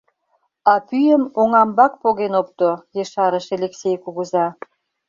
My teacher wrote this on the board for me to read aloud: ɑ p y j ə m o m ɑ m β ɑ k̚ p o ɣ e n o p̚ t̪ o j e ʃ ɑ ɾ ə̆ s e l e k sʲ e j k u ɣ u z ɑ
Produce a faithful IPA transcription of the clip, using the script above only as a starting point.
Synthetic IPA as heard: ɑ p y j ə m o ŋ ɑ m b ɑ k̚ p o ɣ e n o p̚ t̪ o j e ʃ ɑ ɾ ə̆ ʃ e l e k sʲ e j k u ɣ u z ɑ